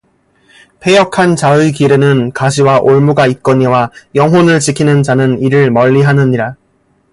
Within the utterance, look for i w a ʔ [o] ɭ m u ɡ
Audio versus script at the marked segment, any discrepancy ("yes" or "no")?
no